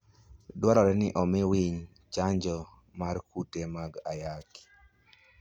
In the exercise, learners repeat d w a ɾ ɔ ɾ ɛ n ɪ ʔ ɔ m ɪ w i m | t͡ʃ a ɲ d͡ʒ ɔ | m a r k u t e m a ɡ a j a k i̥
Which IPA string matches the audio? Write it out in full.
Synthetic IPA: d w a ɾ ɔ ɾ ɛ n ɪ ʔ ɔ m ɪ w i ɲ | t͡ʃ a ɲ d͡ʒ ɔ | m a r k u t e m a ɡ a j a k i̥